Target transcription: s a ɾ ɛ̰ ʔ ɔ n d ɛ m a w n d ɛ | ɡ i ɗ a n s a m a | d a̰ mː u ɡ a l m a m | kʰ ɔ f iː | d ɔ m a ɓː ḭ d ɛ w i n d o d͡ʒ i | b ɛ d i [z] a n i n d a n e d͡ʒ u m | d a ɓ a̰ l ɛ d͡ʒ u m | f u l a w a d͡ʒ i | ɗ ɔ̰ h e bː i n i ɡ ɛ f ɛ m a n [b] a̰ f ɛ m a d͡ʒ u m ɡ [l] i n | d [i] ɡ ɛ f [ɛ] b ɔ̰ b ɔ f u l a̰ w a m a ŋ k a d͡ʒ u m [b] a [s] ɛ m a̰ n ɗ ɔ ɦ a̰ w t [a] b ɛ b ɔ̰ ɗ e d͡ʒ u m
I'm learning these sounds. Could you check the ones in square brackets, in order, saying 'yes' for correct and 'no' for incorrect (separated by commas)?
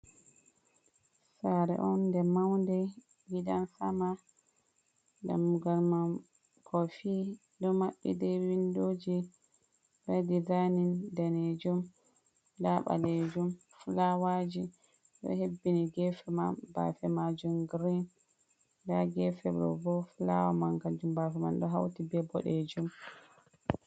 yes, yes, no, no, yes, yes, no, no